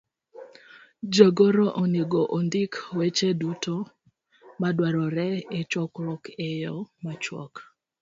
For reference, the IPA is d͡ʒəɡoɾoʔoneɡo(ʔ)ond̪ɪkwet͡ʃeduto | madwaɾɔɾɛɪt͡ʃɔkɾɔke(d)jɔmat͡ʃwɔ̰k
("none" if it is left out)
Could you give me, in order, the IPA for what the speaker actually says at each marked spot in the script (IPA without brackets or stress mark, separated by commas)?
ʔ, none